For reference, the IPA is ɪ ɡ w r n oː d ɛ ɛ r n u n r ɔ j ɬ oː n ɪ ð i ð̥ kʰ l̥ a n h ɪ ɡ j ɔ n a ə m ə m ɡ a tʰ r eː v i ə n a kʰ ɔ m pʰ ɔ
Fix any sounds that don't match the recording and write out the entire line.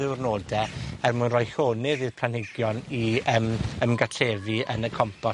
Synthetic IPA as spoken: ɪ w r n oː d ɛ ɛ r m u n r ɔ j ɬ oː n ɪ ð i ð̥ pʰ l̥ a n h ɪ ɡ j ɔ n i ə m ə m ɡ a tʰ r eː v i ə n ə kʰ ɔ m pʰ ɔ